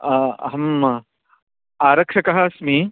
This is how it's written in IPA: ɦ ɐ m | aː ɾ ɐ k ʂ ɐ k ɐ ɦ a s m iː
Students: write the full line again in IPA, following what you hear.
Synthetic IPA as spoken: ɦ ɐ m | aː ɾ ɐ k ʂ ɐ k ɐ ɦ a s m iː